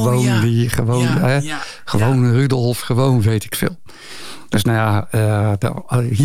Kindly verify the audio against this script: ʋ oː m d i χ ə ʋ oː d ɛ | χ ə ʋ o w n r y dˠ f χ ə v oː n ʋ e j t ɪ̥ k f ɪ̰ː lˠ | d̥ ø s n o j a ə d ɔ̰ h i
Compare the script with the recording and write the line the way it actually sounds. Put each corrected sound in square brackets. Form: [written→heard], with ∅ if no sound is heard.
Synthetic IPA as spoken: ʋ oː [m→n] d i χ ə ʋ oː [d→n] ɛ | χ ə ʋ o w n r y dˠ f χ ə [v→ʋ] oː n ʋ e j t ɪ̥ k f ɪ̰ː lˠ | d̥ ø s n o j a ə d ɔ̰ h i